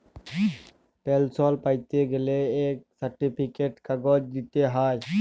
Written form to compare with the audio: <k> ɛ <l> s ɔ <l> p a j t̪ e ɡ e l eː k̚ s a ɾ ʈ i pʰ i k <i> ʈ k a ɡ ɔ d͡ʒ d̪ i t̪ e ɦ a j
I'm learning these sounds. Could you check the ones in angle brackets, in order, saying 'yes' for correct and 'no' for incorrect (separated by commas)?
no, yes, yes, no